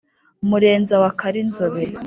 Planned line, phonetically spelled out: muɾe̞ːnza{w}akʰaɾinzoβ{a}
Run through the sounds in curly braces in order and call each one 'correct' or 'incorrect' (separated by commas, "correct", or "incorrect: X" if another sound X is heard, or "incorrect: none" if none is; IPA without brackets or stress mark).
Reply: correct, incorrect: e